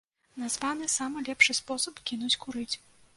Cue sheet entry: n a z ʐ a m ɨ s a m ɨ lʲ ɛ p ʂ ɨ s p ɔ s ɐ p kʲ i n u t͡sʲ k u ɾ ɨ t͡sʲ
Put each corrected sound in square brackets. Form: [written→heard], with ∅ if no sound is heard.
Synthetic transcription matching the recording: n a z [ʐ→v] a [m→n] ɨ s a m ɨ lʲ ɛ p ʂ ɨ s p ɔ s ɐ p kʲ i n u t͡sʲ k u ɾ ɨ t͡sʲ